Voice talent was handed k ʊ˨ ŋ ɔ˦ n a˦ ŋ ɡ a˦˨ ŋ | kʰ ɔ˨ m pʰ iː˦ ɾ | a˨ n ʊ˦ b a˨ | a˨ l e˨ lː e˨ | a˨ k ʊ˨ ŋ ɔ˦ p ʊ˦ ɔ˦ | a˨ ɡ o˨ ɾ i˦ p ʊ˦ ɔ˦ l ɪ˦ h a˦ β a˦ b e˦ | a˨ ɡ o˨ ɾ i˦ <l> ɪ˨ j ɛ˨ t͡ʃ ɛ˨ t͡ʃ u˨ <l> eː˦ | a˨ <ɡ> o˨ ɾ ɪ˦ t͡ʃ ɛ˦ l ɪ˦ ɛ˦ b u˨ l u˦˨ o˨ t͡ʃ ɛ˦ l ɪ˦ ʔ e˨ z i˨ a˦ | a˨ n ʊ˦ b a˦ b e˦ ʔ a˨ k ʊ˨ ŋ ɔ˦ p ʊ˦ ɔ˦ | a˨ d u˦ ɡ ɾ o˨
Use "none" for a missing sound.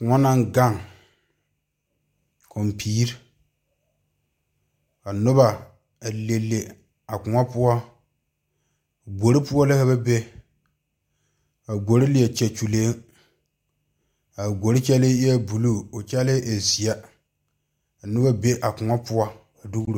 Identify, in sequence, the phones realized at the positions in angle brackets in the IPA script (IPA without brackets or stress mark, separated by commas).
l, l, ɡ